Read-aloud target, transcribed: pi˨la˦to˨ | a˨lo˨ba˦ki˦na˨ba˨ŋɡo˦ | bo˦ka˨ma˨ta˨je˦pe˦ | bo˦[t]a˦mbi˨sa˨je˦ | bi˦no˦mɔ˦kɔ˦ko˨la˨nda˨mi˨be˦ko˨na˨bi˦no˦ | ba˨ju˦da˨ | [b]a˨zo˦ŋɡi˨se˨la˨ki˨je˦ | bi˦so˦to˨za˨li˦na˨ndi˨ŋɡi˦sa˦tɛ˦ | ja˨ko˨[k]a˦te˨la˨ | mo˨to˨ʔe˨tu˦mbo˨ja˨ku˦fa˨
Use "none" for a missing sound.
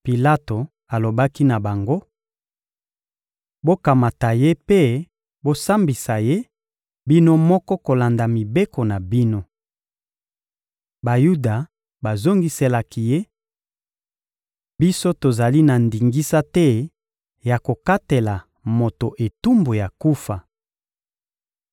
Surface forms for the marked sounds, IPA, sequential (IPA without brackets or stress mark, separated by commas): s, b, k